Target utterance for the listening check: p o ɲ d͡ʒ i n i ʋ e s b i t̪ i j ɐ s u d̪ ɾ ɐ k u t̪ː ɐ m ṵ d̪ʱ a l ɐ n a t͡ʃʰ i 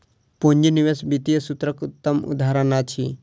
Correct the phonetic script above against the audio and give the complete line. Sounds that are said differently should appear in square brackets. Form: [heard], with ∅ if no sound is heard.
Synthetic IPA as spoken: p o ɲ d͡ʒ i n i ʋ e s b i t̪ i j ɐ s u [t̪] ɾ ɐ k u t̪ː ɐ m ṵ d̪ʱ a [ɾ] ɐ n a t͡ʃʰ i